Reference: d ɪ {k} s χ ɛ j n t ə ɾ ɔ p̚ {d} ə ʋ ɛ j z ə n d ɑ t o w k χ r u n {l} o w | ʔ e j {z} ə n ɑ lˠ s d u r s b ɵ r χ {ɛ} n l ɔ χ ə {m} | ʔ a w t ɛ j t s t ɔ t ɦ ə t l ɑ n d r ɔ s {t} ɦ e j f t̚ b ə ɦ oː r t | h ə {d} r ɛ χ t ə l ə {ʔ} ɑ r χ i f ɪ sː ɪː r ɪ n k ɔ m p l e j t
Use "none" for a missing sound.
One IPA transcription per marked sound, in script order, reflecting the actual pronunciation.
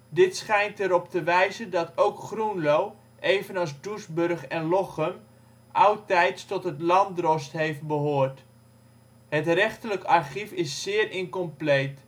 t, t, l, v, ɛ, m, t, t, k

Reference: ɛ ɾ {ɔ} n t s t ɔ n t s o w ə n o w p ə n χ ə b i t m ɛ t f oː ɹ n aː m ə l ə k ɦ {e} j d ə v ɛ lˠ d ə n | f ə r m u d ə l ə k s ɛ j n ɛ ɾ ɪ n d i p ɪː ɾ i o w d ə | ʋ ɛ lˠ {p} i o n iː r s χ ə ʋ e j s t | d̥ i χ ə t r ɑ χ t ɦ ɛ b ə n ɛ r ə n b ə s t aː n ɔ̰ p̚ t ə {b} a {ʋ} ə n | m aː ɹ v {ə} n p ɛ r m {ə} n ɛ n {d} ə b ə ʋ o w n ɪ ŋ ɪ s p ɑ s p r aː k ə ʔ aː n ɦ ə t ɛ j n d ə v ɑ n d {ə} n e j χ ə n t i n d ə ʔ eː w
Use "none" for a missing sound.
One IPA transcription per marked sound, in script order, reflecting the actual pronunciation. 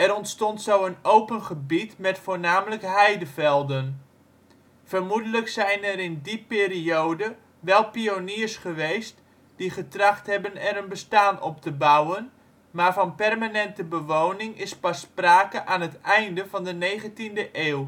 ɔ, ɛ, p, b, w, ɑ, a, t, ə

